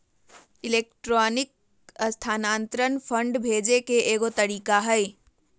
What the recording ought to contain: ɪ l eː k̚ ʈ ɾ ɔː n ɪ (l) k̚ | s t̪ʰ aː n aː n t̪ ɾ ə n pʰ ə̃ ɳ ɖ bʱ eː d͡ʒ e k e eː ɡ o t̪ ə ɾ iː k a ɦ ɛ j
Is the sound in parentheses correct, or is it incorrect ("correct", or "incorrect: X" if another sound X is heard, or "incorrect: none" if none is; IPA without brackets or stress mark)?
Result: incorrect: none